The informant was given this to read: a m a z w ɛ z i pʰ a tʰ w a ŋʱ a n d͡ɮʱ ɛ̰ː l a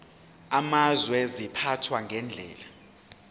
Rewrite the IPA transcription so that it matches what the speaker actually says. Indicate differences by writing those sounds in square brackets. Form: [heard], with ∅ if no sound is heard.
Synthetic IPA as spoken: a m a z w ɛ z i pʰ a tʰ w a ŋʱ [ɛ] n d͡ɮʱ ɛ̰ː l a

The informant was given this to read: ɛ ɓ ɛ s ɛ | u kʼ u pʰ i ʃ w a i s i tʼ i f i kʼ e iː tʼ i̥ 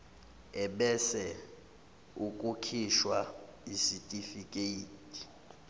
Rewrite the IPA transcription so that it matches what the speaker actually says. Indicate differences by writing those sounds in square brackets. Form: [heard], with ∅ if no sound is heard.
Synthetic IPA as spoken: ɛ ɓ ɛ s ɛ | u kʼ u [kʰ] i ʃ w a i s i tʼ i f i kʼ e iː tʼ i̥

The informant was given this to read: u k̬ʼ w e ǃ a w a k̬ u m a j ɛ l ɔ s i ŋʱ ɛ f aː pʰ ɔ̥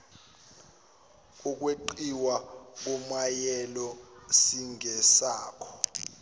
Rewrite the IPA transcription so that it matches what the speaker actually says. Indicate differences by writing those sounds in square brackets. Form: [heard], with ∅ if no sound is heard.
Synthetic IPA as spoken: u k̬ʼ w e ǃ [i] w a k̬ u m a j ɛ l ɔ s i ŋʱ ɛ [s] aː [kʰ] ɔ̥

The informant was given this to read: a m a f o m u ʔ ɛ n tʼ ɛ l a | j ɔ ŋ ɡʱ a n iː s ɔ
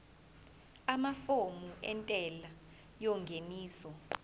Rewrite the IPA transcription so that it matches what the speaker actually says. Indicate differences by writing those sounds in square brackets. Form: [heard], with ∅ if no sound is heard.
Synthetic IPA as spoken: a m a f o m u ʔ ɛ n tʼ ɛ l a | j ɔ ŋ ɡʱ [e] n iː s ɔ

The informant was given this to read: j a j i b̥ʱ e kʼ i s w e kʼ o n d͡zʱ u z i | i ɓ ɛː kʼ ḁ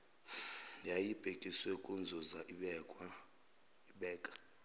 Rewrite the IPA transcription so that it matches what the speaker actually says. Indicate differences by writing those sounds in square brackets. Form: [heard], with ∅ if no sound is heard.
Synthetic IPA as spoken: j a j i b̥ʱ e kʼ i s w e kʼ [u] n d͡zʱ u z [a] | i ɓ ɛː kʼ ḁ

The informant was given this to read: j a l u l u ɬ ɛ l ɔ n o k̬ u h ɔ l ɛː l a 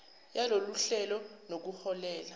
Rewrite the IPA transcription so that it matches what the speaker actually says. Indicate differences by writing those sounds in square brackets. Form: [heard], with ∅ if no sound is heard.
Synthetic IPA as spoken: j a l [o] l u ɬ ɛ l ɔ n o k̬ u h ɔ l ɛː l a

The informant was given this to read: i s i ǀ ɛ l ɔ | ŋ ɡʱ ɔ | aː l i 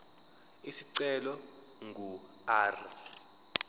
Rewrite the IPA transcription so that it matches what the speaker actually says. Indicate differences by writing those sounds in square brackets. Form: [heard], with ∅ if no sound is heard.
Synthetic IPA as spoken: i s i ǀ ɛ l ɔ | ŋ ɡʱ [u] | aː [r] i

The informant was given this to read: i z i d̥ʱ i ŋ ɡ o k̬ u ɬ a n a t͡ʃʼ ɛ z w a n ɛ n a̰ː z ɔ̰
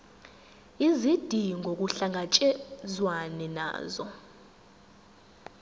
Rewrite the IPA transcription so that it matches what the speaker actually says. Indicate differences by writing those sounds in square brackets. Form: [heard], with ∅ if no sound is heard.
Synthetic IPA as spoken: i z i d̥ʱ i ŋ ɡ o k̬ u ɬ a [ŋ] a t͡ʃʼ ɛ z w a n ɛ n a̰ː z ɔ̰

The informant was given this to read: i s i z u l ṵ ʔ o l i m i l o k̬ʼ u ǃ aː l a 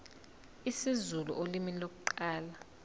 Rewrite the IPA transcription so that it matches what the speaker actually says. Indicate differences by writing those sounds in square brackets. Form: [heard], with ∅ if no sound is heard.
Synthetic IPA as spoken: i s i z u l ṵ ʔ o l i m i l o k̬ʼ u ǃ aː l a

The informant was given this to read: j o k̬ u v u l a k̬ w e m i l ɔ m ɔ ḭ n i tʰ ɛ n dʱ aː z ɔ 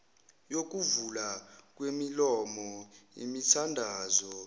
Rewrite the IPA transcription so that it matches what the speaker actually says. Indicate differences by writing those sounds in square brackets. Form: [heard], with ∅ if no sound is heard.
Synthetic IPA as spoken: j o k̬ u v u l a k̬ w e m i l ɔ m ɔ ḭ [m] i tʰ [a] n dʱ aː z ɔ

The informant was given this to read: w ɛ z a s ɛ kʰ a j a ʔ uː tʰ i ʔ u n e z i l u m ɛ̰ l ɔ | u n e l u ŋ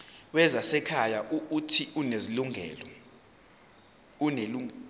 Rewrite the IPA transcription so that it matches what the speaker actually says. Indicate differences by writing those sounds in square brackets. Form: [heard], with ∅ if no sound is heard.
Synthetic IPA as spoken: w ɛ z a s ɛ kʰ a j a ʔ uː tʰ i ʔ u n e z i l u [ŋ] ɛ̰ l ɔ | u n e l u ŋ

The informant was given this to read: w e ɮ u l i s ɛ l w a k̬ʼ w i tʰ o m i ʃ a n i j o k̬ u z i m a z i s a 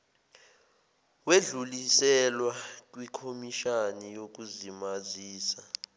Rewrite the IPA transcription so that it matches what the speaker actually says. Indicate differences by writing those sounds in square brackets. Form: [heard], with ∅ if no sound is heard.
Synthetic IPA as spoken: w e ɮ u l i s ɛ l w a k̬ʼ w i [kʰ] o m i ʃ a n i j o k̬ u z i m a z [iː] s a

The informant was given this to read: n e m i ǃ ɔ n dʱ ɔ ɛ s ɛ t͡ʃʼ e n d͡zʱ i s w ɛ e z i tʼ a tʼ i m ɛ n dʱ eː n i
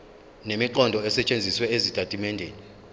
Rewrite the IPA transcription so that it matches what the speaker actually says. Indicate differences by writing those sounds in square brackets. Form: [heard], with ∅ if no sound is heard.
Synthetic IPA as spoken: n e m i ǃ ɔ n dʱ ɔ ɛ s ɛ t͡ʃʼ e n d͡zʱ i s w ɛ e z i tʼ a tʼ i m ɛ n dʱ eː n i

